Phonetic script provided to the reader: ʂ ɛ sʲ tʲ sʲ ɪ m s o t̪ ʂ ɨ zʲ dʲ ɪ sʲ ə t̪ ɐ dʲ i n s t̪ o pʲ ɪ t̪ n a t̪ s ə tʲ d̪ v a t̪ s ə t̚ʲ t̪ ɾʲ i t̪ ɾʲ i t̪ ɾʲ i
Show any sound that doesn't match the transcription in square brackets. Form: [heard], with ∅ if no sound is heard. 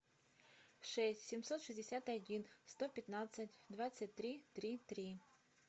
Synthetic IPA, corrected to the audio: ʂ ɛ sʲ tʲ sʲ ɪ m s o t̪ ʂ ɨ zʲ dʲ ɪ sʲ [a] t̪ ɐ dʲ i n s t̪ o pʲ ɪ t̪ n a t̪ s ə tʲ d̪ v a t̪ s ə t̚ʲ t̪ ɾʲ i t̪ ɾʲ i t̪ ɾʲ i